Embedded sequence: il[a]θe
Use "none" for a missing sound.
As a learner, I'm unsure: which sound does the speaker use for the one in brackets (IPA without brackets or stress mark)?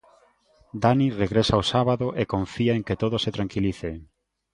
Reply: i